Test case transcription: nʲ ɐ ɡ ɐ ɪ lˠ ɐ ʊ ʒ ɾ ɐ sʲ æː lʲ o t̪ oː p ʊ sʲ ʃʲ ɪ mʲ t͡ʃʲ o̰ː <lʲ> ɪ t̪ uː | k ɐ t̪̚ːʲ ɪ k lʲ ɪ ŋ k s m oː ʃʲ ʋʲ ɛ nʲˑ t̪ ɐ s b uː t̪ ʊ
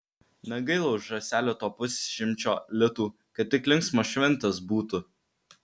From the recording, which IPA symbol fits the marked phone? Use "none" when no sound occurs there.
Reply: lʲ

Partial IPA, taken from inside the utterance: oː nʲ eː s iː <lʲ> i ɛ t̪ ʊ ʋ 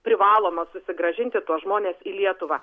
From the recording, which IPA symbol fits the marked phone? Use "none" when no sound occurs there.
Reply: lʲ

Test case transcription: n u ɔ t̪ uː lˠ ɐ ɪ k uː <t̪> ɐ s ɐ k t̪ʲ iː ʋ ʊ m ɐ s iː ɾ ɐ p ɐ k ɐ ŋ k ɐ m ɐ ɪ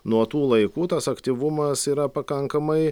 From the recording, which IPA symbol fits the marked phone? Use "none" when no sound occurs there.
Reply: t̪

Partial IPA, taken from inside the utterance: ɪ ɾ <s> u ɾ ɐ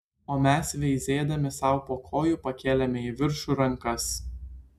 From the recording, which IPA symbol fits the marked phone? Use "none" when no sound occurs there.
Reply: ʃ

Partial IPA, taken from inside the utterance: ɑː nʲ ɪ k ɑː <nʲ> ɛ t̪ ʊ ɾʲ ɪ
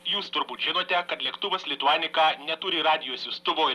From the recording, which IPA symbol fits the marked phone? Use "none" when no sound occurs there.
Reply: nʲ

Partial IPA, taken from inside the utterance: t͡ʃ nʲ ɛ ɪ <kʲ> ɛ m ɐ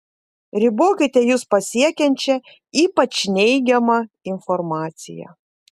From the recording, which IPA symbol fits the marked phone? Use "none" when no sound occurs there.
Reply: ɡʲ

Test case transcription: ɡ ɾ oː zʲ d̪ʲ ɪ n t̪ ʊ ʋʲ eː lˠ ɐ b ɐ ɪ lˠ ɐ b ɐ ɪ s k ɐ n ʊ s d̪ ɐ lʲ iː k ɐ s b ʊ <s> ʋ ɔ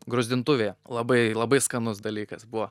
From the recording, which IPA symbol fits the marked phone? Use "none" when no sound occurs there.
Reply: none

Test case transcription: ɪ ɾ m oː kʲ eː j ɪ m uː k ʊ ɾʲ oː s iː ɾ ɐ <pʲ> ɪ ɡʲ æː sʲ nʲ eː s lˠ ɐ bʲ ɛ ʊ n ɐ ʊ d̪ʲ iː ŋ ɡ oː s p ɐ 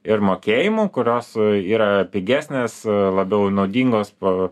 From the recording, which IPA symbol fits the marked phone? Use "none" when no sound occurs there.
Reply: pʲ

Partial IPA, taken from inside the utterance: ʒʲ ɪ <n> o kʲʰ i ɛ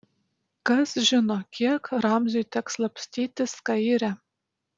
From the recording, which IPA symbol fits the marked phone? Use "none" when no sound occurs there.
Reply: n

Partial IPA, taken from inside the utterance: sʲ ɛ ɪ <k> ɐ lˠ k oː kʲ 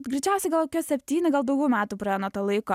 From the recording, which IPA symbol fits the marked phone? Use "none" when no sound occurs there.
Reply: ɡ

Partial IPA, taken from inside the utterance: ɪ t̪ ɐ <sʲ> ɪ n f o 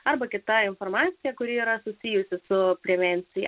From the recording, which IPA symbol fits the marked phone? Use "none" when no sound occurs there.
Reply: none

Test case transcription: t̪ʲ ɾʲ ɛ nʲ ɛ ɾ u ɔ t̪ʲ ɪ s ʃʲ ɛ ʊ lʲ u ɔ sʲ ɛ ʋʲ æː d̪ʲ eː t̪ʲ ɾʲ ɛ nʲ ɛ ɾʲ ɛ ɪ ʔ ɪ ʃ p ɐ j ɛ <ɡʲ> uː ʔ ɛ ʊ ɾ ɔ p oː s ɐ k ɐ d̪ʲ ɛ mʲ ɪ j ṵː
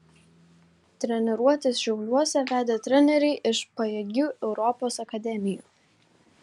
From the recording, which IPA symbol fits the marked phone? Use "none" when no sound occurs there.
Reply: ɡʲ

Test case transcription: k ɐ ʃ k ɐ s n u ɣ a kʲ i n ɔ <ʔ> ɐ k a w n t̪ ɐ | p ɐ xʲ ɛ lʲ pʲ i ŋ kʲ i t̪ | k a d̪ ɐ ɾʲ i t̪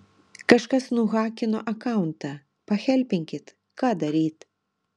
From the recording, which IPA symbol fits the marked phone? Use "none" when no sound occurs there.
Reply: ʔ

